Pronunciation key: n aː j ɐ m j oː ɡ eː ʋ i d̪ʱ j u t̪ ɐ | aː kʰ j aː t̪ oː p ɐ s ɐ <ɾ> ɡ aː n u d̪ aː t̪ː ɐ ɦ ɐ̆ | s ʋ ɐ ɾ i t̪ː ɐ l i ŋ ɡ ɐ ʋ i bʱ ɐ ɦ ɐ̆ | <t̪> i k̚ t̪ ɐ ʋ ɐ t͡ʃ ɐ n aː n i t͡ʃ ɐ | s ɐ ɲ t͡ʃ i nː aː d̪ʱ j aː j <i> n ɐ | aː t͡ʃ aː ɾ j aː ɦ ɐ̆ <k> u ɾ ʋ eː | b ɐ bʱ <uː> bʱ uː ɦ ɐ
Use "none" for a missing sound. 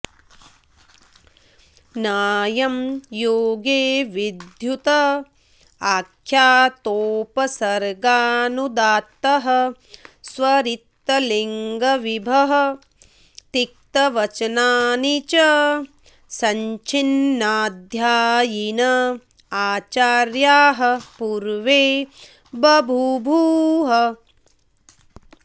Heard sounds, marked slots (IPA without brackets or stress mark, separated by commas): ɾ, t̪, i, p, u